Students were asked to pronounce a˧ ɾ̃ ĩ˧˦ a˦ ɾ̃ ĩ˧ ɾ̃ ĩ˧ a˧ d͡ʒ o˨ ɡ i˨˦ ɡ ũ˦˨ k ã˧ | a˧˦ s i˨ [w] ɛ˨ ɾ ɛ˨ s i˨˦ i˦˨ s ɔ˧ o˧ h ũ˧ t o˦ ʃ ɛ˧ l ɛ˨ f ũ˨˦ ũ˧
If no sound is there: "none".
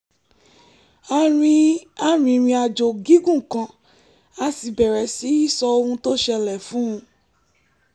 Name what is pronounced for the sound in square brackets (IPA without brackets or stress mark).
b